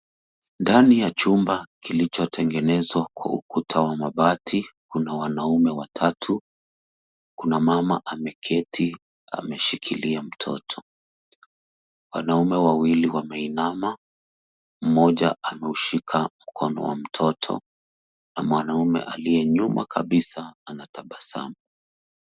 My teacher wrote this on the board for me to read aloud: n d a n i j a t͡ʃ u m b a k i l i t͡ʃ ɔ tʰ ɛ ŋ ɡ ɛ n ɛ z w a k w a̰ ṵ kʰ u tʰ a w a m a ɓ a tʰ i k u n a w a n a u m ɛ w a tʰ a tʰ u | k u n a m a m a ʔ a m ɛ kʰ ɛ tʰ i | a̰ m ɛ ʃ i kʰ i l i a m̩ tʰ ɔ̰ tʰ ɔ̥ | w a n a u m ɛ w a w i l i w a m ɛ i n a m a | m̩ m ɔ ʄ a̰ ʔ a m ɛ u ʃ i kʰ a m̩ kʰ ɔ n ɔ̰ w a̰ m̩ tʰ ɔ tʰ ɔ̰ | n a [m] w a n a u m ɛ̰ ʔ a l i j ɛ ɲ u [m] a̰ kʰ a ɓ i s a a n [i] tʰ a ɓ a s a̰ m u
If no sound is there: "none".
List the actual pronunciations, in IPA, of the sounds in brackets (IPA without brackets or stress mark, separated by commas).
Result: m, m, a